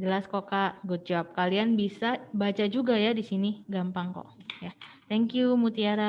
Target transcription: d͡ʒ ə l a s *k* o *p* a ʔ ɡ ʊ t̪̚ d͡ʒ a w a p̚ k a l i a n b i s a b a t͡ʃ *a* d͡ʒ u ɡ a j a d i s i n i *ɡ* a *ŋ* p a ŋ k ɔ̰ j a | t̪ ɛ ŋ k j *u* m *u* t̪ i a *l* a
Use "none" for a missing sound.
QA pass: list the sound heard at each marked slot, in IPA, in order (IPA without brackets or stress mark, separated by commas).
k, k, a, ɡ, m, u, u, ɾ